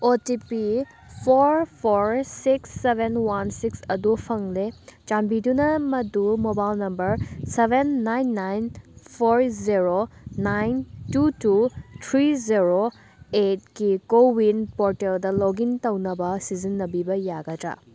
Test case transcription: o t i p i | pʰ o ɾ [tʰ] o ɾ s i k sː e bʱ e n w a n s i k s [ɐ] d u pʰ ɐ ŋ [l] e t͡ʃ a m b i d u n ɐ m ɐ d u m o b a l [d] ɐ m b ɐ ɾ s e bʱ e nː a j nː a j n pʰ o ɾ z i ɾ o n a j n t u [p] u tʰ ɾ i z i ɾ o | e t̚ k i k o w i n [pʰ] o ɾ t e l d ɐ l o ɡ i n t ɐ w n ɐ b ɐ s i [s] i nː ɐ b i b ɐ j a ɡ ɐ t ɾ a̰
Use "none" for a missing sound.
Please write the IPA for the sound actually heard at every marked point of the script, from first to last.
pʰ, ɐ, l, n, t, p, z

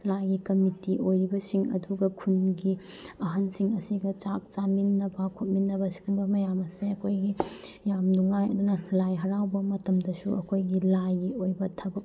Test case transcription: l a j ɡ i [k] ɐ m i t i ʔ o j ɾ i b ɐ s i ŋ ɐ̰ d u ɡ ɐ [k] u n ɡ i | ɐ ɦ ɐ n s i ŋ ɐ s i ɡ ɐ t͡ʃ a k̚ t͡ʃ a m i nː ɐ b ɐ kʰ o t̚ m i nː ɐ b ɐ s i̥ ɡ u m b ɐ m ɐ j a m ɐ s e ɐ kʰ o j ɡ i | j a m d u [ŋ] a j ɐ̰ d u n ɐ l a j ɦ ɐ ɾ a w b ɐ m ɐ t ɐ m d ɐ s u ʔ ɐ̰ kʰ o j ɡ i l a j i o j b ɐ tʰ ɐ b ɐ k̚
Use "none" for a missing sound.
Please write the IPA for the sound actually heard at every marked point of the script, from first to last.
k, kʰ, ŋ

